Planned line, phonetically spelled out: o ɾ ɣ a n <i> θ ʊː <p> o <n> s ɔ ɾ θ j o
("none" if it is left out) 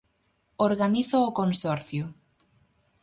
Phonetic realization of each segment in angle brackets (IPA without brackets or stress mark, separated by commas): i, k, n